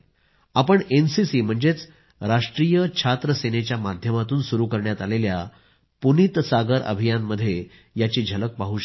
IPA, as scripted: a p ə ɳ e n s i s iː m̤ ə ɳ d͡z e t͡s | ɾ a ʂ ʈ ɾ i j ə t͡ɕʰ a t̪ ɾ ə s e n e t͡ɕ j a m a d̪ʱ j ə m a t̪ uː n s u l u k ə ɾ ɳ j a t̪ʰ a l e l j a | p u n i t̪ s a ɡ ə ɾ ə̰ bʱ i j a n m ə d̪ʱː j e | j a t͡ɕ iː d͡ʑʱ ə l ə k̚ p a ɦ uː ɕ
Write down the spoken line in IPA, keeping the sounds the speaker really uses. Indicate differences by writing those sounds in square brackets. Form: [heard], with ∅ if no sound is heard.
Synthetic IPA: a p ə ɳ e n s i s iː m̤ ə ɳ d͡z e t͡s | ɾ a ʂ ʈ ɾ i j ə t͡ɕʰ a t̪ ɾ ə s e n e t͡ɕ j a m a d̪ʱ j ə m a t̪ uː n s u [ɾ] u k ə ɾ ɳ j a [t̪] a l e l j a | p u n i t̪ s a ɡ ə ɾ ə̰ bʱ i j a n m ə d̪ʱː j e | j a t͡ɕ iː d͡ʑʱ ə l ə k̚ p a ɦ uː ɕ